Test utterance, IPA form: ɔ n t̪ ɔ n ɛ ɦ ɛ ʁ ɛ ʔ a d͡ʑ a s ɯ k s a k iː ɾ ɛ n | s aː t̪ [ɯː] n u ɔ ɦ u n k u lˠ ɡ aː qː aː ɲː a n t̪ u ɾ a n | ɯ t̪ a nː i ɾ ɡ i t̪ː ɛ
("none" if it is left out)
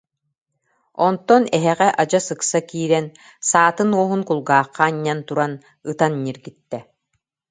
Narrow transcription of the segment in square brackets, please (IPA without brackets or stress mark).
ɯ